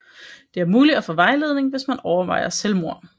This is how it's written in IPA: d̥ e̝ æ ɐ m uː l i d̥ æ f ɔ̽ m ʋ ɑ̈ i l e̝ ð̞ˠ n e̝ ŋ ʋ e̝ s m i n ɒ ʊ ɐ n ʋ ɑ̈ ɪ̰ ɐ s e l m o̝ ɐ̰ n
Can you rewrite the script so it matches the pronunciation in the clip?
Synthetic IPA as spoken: d̥ e̝ æ ɐ m uː l i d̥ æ f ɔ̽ ʋ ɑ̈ ɪ l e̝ ð̞ˠ n e̝ ŋ ʋ e̝ s m æ n ɒ ʊ ɐ ʋ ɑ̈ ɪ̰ ɐ s e l m o̝ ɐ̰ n